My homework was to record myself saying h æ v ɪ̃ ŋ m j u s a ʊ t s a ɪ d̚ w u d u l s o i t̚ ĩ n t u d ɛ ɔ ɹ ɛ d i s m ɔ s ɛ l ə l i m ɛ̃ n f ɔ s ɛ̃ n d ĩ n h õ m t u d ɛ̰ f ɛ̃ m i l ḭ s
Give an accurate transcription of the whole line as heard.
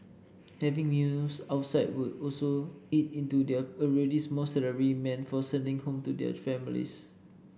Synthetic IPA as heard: h ɛ v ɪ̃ ŋ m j u s a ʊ t s a ɪ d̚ w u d ɔ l s o i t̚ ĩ n t u d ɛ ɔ ɹ ɛ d i s m ɔ s ɛ l ə ɹ i m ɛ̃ n f ɔ s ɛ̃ n d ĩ ŋ h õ m t u d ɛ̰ f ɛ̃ m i l ḭ s